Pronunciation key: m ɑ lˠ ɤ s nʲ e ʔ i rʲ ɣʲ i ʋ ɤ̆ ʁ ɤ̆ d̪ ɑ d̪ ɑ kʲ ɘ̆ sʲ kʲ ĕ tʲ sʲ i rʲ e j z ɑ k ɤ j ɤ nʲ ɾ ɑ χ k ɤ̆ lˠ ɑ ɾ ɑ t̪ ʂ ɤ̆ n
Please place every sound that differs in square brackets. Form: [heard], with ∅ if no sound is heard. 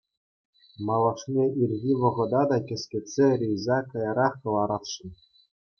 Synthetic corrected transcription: m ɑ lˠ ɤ [ʂ] nʲ e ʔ i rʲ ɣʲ i ʋ ɤ̆ ʁ ɤ̆ d̪ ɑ d̪ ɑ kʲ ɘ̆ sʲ kʲ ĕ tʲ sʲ [e] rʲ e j z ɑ k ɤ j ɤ [∅] ɾ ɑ χ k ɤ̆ lˠ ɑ ɾ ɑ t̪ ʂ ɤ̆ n